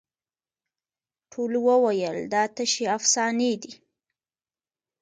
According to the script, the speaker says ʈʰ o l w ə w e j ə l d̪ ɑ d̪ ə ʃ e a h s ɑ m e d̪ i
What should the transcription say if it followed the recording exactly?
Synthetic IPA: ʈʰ o l w ə w a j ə l d̪ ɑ t̪ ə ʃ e a f s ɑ n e d̪ i